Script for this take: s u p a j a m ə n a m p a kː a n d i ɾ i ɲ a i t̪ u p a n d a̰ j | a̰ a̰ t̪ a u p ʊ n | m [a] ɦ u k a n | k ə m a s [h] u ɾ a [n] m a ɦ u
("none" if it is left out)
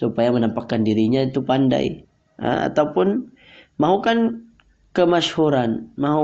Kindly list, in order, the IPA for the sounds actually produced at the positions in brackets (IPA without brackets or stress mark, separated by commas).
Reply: a, h, n